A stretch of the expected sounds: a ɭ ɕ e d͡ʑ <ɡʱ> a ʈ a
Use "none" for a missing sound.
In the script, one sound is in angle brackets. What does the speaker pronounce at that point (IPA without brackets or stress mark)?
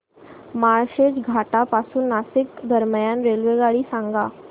ɡʱ